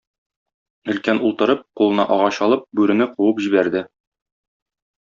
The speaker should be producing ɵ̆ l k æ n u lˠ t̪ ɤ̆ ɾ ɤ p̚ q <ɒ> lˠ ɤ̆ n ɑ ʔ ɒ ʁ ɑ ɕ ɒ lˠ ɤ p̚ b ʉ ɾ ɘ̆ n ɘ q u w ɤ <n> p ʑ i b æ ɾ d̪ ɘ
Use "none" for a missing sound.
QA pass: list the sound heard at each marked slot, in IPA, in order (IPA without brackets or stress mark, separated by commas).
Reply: u, none